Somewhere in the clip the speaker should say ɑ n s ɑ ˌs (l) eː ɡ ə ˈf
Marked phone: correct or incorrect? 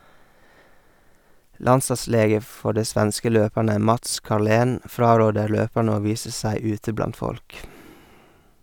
correct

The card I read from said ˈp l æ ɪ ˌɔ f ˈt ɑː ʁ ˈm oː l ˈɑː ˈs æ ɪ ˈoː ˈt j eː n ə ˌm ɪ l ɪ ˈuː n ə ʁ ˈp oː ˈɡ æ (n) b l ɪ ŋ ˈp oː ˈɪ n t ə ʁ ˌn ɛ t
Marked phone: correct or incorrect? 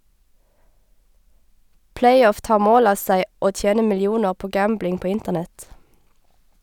incorrect: m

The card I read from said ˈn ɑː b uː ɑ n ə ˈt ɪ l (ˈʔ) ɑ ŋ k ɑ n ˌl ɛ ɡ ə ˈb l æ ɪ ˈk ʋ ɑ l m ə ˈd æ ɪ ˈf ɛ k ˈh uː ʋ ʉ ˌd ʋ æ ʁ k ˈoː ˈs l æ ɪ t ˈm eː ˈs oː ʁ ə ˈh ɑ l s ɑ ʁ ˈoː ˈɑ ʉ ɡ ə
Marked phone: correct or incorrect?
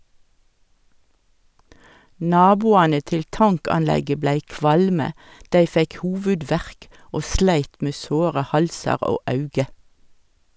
incorrect: t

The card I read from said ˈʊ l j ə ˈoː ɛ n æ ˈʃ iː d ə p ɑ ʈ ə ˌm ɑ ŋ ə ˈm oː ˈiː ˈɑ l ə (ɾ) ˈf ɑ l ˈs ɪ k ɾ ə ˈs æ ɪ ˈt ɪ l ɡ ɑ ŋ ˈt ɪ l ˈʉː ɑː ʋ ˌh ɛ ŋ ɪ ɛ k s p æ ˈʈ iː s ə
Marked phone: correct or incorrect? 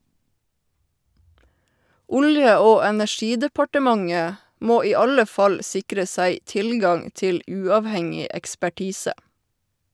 incorrect: none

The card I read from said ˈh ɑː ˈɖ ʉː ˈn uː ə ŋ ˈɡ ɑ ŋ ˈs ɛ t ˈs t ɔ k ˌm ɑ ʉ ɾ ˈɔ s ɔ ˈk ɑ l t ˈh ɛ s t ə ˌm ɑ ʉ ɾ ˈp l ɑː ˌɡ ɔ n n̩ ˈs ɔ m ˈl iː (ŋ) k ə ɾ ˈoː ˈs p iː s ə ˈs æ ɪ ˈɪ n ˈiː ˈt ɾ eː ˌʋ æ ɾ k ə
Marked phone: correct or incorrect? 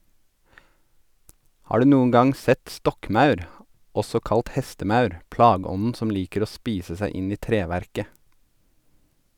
incorrect: none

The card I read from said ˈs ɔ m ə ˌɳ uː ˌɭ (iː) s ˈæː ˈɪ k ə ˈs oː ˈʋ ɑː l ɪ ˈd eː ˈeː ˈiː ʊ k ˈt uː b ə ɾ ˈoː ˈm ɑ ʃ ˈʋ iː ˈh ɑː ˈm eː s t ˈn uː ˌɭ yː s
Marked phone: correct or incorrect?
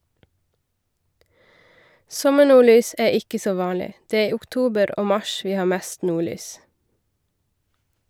incorrect: yː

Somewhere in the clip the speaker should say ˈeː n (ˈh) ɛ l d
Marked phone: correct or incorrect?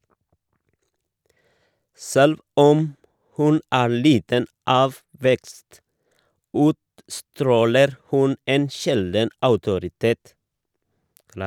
incorrect: ʃ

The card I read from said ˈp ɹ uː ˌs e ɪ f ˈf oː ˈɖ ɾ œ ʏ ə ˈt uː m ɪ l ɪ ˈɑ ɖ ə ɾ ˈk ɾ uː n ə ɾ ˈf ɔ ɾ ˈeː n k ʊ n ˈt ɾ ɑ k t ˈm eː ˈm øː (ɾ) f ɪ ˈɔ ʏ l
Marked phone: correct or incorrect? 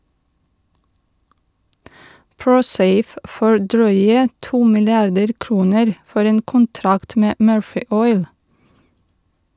incorrect: ɹ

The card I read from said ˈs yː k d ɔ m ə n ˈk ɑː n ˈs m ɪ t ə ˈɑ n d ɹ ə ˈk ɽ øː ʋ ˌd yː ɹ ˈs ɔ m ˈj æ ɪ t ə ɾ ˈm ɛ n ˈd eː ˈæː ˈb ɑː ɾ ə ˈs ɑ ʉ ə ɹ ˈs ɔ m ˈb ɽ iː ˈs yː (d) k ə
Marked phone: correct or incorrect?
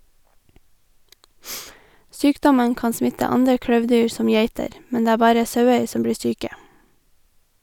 incorrect: none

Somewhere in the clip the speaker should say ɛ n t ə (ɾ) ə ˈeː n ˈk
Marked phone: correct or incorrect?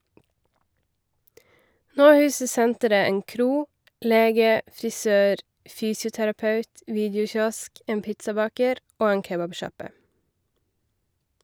correct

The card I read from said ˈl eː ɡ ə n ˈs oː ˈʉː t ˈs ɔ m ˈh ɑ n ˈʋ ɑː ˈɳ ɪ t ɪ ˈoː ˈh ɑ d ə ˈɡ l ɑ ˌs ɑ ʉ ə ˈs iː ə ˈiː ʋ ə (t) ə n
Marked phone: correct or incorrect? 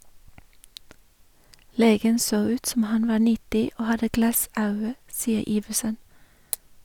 incorrect: s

